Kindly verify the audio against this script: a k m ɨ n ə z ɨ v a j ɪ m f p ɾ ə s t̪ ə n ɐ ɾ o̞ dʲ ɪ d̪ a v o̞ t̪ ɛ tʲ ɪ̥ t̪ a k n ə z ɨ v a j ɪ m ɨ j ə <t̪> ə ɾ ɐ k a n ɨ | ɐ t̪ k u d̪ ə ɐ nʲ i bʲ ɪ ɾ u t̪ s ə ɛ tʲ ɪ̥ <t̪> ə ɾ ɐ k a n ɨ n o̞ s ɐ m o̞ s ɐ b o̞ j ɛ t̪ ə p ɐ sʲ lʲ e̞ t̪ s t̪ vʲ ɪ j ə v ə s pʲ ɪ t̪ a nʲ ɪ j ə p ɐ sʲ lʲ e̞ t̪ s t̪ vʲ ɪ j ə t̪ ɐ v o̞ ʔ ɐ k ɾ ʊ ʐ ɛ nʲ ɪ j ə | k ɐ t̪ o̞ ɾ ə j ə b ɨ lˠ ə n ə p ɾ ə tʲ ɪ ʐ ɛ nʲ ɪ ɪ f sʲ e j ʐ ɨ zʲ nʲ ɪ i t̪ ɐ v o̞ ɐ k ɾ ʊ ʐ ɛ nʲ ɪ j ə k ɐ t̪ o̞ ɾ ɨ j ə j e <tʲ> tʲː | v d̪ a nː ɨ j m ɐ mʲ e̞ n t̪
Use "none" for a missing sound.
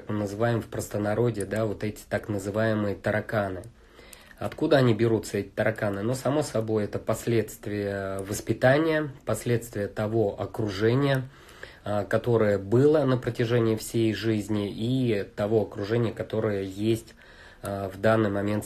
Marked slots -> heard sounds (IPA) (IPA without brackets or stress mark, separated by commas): t̪, t̪, sʲ